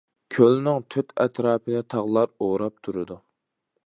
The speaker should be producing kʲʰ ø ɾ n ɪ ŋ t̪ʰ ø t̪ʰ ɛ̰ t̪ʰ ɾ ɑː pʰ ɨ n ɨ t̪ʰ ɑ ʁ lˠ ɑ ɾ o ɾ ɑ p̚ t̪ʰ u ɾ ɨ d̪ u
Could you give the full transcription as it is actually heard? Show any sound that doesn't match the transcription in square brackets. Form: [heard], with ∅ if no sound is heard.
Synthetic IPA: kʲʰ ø [l] n ɪ ŋ t̪ʰ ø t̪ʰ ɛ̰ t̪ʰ ɾ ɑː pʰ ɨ n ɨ t̪ʰ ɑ ʁ lˠ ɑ ɾ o ɾ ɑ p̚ t̪ʰ u ɾ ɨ d̪ u